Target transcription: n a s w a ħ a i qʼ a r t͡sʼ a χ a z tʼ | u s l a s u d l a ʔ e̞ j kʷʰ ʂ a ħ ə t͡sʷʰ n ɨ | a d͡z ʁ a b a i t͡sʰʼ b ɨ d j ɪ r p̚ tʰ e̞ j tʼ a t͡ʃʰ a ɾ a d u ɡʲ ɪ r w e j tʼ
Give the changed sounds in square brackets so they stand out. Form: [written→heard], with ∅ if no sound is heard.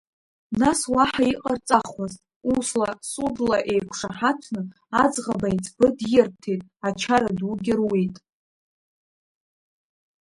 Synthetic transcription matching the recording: n a s w a ħ a i qʼ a r t͡sʼ a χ a z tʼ | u s l a s u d l a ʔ e̞ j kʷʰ ʂ a ħ [ə→a] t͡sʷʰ n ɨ | a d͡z ʁ a b a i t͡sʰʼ b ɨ d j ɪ r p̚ tʰ e̞ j tʼ a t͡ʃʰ a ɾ a d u ɡʲ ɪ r w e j tʼ